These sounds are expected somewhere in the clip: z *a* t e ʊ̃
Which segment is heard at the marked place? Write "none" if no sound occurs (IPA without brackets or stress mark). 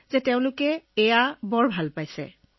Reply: ɛ